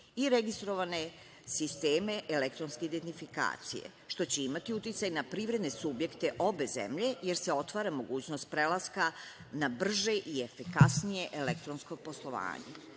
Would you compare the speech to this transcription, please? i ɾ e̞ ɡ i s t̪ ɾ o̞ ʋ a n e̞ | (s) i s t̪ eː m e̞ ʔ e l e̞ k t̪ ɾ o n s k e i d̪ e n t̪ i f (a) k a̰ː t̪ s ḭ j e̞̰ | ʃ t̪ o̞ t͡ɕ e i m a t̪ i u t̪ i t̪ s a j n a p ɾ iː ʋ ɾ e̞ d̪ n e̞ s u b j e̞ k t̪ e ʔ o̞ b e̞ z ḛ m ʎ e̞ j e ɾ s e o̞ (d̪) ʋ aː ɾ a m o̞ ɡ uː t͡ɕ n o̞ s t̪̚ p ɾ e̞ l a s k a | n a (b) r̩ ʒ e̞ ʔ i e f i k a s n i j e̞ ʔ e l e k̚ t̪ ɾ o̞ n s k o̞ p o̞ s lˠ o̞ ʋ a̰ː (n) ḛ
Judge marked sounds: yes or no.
yes, no, no, yes, no

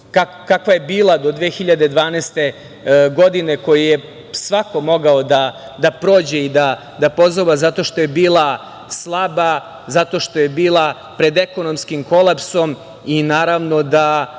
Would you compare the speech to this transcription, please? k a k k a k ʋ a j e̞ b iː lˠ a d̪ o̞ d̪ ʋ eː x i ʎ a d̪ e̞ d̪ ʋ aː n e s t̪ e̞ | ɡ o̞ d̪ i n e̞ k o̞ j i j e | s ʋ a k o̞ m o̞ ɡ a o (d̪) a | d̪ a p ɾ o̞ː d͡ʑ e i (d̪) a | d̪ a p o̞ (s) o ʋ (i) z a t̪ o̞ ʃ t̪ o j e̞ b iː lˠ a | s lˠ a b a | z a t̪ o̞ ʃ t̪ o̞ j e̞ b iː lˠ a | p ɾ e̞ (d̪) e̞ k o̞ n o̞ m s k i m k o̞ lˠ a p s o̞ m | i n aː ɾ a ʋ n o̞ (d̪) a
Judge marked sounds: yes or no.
yes, yes, no, no, yes, yes

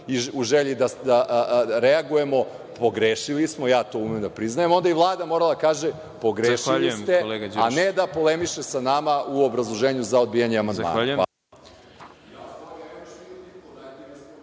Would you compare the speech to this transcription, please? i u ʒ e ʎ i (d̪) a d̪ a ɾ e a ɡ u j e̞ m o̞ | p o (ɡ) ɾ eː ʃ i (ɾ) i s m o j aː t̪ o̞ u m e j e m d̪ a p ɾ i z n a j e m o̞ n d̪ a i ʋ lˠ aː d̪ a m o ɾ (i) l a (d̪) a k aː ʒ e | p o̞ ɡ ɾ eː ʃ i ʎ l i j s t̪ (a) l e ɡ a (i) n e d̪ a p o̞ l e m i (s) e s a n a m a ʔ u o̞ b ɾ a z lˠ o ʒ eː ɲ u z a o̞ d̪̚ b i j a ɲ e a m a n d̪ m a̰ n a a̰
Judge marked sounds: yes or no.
yes, yes, no, no, yes, no, no, no

